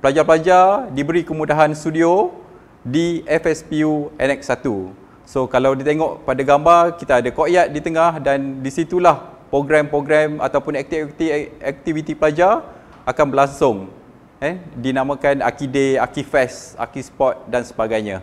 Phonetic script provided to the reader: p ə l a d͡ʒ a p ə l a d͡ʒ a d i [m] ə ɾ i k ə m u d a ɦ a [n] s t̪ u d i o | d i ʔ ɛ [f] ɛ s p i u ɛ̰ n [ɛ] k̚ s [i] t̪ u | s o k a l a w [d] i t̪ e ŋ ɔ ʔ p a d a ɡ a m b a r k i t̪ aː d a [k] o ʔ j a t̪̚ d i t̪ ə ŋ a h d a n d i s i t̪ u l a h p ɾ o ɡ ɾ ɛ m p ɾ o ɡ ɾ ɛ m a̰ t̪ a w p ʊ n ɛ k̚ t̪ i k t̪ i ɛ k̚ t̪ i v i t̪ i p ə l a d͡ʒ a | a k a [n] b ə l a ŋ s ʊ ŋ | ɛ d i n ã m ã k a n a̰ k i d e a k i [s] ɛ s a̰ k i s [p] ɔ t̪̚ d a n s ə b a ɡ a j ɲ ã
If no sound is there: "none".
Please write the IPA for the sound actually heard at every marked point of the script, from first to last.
b, n, f, ɛ, a, d, k, n, f, p

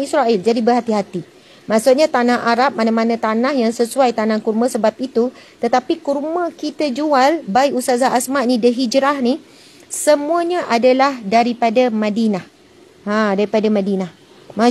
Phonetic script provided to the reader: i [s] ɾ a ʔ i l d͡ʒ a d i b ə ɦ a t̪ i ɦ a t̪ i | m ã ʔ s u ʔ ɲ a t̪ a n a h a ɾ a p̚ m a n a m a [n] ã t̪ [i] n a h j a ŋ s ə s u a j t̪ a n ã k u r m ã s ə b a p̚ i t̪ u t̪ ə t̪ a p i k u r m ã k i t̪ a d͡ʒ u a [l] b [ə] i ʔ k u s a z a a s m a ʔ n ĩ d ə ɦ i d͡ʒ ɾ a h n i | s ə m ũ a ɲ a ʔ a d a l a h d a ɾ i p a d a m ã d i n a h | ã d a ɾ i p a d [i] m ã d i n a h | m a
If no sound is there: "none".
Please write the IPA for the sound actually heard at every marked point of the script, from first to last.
s, n, a, l, a, a

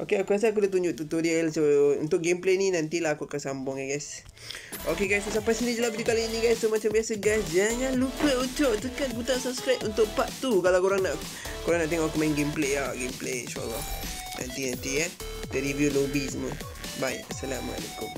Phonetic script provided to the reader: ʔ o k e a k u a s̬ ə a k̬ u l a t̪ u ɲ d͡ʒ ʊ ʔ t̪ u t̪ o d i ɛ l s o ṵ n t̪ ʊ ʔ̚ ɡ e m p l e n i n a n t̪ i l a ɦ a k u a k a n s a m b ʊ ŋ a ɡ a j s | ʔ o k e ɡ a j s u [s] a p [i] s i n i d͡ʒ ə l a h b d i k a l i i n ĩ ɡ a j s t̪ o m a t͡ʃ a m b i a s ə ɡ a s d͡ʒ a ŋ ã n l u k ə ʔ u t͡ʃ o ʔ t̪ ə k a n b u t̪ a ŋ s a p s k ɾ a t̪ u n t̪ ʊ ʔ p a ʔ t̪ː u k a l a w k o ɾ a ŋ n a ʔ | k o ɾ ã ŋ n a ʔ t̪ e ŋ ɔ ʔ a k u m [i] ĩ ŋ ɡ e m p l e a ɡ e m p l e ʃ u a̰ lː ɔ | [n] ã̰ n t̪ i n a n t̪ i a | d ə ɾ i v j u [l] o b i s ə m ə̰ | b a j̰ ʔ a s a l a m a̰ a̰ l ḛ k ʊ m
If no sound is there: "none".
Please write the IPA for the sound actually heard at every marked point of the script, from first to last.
s, a, a, n, l

